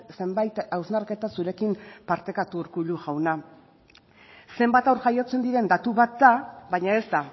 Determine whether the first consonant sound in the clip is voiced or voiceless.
voiceless